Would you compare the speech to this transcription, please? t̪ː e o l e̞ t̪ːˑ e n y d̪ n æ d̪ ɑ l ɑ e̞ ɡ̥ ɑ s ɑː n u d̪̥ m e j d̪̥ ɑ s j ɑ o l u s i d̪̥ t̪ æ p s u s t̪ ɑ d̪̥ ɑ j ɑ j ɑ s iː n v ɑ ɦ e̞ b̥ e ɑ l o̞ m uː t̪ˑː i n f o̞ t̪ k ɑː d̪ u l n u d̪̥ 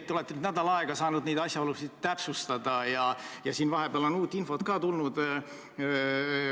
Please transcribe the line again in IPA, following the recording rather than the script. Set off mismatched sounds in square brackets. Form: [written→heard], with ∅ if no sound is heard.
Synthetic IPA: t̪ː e o l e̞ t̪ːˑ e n y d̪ n æ d̪ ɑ l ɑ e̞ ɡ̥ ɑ s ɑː n u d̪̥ [m→n] e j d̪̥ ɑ s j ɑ o l u s i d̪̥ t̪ æ p s u s t̪ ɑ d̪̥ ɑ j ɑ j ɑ s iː n v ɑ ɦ e̞ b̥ e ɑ l o̞ [m→n] uː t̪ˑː i n f o̞ t̪ k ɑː [d̪→t̪] u l n u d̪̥

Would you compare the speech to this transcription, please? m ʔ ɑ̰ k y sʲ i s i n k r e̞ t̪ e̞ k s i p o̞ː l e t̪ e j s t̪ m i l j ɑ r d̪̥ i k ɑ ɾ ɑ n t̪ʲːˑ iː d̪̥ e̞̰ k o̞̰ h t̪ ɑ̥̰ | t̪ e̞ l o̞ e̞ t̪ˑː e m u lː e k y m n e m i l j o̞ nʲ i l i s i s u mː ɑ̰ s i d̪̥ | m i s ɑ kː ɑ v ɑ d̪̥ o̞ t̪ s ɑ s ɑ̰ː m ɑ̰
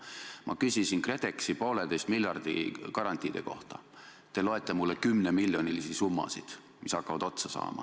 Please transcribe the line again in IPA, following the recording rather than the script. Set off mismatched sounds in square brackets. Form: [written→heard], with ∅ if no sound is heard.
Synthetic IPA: m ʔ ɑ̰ k y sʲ i s i n k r e̞ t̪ e̞ k s i p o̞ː l e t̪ e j s t̪ m i l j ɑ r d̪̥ i k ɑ ɾ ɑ n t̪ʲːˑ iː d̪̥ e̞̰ k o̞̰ h t̪ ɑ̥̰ | t̪ e̞ l o̞ e̞ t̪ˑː e m u lː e k y m n e m i l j o̞ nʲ i l i s i s u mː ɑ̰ s i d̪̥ | m i s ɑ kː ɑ v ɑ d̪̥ o̞ t̪ s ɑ s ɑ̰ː m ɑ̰

